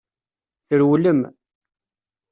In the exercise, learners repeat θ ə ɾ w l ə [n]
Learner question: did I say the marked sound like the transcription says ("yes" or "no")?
no